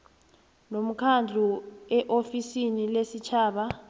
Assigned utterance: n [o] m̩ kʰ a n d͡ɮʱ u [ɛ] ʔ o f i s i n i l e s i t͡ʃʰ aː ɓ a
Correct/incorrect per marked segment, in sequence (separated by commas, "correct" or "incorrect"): correct, correct